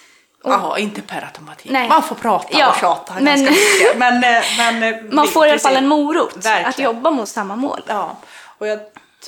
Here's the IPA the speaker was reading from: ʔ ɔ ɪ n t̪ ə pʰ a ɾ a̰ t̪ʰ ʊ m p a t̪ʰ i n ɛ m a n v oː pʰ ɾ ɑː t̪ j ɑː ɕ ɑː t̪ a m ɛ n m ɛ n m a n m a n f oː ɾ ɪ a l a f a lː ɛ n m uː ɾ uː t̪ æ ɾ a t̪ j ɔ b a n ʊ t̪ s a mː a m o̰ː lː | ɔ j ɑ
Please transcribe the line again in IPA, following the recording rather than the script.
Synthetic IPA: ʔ ɔ ɪ n t̪ ə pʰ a ɾ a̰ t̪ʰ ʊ m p a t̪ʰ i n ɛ m a n f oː pʰ ɾ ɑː t̪ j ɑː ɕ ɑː t̪ a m ɛ n m ɛ n m ɛ n m a n f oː ɾ ɪ a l a f a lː ɛ n m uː ɾ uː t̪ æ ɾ a t̪ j ɔ bː a m ʊ t̪ s a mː a m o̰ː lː | ɔ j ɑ